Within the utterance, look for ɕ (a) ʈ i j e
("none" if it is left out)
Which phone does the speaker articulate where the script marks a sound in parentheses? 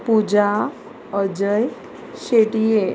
e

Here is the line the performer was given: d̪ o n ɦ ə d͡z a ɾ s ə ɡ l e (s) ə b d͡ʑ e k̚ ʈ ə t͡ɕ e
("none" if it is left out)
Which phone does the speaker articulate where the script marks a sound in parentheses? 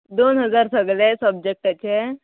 s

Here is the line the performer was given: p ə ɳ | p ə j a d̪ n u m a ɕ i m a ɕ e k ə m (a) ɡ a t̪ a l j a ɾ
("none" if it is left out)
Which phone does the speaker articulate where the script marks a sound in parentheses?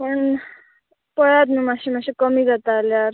i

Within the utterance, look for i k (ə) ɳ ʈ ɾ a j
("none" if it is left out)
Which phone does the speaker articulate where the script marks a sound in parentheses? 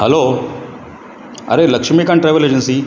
a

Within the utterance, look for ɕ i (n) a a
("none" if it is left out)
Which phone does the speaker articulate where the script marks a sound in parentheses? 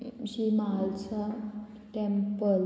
m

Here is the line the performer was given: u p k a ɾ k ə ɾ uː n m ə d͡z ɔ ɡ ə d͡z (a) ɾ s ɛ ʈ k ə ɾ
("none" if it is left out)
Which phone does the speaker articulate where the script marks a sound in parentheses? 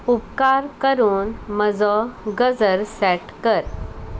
ə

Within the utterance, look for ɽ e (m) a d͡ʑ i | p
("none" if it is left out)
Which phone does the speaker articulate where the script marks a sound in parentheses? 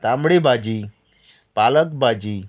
b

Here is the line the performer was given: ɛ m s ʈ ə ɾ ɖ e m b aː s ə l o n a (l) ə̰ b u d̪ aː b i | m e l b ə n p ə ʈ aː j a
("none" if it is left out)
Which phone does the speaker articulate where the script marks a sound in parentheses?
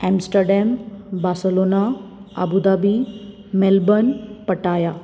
none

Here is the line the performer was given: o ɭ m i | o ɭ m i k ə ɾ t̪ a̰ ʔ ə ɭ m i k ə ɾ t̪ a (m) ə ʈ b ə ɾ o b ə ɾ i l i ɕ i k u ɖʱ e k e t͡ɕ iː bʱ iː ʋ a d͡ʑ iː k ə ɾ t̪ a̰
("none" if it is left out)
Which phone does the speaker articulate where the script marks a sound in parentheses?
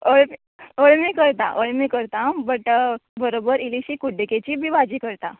b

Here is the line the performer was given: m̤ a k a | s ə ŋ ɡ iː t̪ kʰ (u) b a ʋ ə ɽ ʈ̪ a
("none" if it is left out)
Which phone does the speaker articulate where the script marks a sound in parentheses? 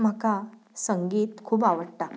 uː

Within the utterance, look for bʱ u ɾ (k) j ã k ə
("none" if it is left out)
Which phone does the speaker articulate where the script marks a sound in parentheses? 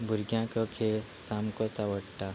ɡ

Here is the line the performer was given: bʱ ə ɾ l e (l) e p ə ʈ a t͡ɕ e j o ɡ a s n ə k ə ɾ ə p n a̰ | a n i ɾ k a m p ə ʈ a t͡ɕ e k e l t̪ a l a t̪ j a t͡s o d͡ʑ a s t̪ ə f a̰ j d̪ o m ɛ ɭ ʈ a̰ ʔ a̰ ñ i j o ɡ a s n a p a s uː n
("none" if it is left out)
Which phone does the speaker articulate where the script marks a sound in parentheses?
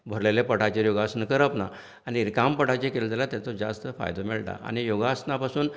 l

